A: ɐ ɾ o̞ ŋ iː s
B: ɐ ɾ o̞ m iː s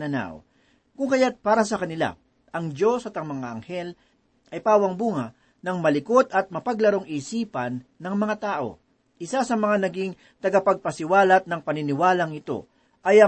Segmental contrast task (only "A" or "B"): A